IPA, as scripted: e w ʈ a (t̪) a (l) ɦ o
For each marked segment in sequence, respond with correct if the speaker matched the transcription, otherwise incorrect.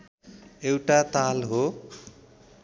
correct, correct

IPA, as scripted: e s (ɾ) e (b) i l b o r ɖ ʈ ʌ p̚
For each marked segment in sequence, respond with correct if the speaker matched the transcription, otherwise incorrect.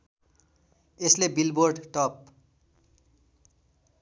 incorrect, correct

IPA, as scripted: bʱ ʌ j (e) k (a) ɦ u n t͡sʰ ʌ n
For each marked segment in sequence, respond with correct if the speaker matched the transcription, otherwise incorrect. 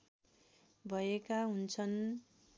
correct, correct

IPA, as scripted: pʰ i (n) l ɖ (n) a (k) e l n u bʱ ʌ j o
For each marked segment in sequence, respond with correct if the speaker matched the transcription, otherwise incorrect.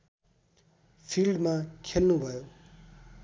incorrect, incorrect, incorrect

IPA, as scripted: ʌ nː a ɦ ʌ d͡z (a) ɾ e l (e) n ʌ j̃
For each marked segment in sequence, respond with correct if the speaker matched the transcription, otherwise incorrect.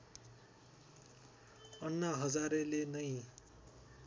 correct, correct

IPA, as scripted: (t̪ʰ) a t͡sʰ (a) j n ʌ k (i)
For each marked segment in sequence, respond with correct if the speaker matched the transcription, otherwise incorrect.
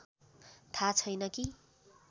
correct, incorrect, correct

